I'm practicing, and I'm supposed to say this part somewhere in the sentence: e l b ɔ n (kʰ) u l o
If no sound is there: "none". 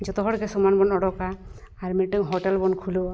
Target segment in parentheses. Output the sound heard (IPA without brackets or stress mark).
kʰ